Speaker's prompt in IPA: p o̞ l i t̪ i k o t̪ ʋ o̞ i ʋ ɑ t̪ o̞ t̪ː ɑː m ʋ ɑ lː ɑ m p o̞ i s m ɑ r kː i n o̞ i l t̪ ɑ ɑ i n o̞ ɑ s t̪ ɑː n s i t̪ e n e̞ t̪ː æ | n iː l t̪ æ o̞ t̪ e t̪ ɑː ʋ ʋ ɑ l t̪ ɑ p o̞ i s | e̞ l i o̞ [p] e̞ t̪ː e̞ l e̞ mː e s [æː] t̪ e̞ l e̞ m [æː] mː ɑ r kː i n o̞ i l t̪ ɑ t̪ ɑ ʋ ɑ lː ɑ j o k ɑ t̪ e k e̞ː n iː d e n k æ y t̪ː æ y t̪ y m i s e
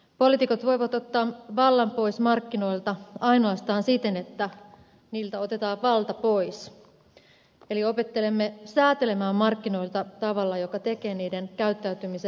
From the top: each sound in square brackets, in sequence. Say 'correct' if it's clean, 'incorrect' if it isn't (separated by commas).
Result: correct, correct, correct